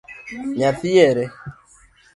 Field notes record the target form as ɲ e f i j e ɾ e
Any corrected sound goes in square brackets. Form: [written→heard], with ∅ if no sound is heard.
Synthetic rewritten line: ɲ [e→a] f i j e ɾ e